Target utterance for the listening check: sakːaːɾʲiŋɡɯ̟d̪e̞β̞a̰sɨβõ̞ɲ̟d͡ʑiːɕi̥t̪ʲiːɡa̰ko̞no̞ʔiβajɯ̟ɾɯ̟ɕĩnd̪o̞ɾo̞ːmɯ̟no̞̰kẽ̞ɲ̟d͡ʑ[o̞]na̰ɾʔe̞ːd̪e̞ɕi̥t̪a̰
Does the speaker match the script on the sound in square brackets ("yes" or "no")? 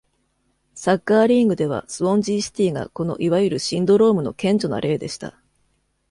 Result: yes